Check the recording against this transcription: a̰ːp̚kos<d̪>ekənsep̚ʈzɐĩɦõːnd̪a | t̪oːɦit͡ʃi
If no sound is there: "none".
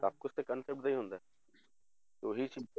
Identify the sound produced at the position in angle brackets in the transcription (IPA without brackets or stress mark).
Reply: t̪